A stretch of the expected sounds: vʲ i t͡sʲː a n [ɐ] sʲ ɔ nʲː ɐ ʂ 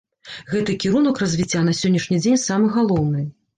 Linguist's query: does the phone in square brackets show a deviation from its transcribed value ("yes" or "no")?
no